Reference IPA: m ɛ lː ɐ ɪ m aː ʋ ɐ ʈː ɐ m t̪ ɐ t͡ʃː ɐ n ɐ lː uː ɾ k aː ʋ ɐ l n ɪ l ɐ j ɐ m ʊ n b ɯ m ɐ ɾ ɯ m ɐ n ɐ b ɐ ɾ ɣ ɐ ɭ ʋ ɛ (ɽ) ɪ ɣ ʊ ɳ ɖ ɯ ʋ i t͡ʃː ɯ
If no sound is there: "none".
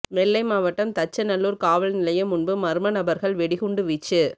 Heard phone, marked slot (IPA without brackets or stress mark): ɽ